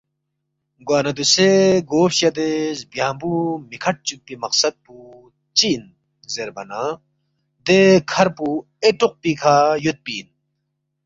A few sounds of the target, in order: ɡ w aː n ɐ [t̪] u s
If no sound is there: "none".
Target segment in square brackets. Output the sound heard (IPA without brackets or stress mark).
d̪